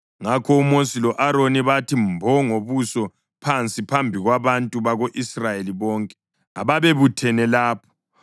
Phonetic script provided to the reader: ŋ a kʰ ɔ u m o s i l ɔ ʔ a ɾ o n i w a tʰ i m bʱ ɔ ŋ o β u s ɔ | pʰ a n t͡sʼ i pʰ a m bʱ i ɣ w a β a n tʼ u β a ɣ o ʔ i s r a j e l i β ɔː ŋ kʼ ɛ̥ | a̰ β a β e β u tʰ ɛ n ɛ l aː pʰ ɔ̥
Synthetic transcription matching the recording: ŋ a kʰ ɔ u m o s i l ɔ ʔ a ɾ o n i β a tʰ i m bʱ ɔ ŋ o β u s ɔ | pʰ a n t͡sʼ i pʰ a m bʱ i ɣ w a β a n tʼ u β a ɣ o ʔ i s r a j e l i β ɔː ŋ kʼ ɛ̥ | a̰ β a β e β u tʰ ɛ n ɛ l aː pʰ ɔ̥